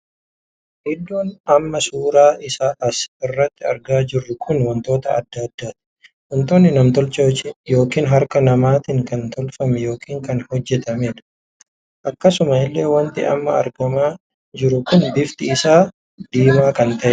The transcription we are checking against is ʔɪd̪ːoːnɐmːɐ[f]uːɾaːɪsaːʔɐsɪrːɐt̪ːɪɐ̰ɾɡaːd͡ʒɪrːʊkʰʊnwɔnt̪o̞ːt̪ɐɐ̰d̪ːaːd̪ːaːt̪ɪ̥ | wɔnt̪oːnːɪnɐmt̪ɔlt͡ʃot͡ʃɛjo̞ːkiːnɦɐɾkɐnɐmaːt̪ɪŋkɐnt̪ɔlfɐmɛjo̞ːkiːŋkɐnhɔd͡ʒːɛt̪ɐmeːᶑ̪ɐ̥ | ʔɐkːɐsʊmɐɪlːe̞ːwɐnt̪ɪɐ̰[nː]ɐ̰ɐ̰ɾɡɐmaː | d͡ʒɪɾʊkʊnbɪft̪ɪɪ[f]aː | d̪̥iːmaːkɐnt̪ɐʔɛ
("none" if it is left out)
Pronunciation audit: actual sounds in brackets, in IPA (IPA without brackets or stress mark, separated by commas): s, mː, s